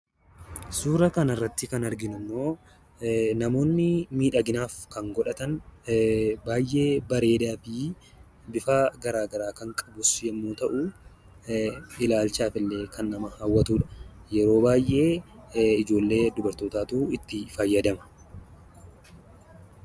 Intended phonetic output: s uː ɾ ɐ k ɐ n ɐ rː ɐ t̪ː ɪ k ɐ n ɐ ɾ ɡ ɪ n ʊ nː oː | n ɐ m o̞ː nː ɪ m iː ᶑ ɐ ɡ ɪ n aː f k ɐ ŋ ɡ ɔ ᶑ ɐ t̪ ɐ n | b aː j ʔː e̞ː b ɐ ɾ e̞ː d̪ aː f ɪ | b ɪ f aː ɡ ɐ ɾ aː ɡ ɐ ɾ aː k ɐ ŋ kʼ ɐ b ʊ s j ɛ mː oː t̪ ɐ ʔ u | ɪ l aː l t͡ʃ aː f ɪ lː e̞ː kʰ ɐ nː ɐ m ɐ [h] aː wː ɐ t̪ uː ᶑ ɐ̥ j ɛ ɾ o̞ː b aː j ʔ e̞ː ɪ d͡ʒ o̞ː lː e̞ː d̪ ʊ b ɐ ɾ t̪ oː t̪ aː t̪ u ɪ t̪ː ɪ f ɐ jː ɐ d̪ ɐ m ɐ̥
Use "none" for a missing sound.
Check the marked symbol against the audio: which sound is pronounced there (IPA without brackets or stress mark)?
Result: h